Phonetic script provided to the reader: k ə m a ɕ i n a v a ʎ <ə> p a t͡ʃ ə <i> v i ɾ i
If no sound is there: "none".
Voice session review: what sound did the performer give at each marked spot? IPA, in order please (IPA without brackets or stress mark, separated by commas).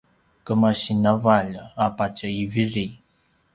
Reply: a, i